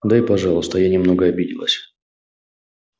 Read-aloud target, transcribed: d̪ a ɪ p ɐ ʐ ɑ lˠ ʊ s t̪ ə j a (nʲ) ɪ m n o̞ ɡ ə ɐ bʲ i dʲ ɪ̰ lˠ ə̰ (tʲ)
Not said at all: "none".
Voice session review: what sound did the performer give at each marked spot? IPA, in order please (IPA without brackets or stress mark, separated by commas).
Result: nʲ, sʲ